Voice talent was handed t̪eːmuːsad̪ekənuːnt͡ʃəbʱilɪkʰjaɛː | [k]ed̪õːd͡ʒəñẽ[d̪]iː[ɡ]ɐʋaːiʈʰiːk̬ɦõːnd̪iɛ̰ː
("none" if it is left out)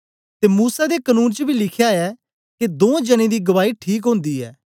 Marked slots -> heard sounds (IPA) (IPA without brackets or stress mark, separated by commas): k, d̪, ɡ